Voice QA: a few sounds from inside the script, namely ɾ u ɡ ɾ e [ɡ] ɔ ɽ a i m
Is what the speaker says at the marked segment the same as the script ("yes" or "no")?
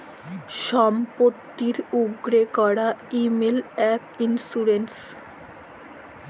no